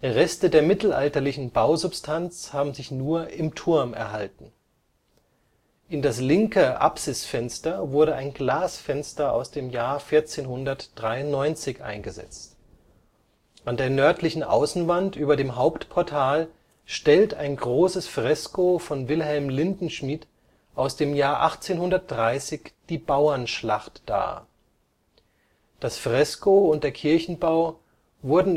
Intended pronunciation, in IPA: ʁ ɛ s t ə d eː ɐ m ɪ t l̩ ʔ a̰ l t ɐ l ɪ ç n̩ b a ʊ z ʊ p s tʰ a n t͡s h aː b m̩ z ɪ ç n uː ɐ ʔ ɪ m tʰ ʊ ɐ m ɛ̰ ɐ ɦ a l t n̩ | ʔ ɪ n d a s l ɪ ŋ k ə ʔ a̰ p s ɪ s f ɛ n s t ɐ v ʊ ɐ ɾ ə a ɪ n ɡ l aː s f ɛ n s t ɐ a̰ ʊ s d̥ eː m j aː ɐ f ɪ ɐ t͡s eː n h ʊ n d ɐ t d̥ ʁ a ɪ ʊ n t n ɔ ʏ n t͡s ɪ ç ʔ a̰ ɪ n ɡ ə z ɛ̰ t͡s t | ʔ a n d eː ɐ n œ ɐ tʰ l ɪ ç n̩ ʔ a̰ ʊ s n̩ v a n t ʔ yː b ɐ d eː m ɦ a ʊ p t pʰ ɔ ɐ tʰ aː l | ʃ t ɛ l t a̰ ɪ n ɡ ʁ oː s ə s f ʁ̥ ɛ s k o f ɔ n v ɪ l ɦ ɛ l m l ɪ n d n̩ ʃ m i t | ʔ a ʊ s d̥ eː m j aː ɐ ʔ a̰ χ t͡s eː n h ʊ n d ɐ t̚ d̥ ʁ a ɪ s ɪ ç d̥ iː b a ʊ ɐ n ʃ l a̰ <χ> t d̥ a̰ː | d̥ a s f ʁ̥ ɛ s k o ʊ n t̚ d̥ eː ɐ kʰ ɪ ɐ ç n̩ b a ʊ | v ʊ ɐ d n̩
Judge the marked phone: correct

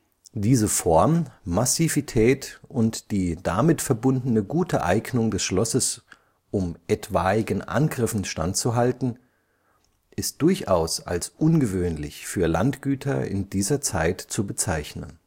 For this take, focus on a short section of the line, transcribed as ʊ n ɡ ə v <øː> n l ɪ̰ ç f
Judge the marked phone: correct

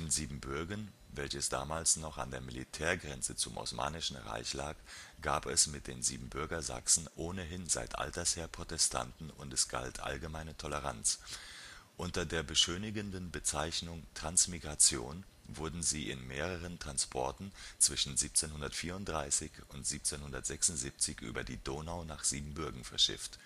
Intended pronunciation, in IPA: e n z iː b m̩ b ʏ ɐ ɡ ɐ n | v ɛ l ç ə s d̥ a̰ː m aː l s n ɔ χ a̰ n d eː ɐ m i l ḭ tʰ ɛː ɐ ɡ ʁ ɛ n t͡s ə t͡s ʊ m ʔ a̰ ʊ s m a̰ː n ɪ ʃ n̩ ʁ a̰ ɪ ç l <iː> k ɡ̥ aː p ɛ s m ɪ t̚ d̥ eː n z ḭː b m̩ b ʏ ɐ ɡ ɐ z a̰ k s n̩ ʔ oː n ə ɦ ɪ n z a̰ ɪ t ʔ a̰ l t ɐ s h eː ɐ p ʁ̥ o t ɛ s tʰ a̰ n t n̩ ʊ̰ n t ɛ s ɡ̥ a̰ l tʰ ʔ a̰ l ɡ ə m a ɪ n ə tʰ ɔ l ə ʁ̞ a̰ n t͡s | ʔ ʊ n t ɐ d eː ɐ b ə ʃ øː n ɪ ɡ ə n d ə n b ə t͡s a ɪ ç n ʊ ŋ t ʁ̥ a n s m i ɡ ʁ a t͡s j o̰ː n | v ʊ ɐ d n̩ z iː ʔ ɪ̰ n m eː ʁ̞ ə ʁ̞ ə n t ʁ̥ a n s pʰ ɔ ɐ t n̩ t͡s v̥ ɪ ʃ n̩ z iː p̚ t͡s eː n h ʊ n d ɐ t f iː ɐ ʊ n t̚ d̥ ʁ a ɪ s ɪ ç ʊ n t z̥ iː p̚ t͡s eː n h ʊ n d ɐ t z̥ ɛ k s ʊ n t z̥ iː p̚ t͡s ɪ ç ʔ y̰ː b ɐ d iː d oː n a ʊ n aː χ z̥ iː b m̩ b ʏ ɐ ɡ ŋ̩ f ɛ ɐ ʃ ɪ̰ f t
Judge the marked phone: incorrect: aː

